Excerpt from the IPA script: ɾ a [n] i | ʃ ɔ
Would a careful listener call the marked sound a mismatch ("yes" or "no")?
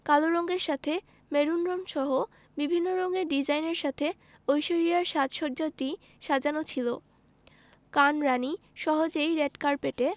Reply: no